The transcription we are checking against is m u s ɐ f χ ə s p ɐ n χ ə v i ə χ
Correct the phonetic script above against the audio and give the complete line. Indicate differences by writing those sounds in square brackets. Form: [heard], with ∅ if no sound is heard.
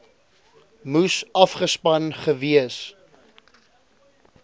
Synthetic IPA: m u s ɐ f χ ə s p ɐ n χ ə v i ə [s]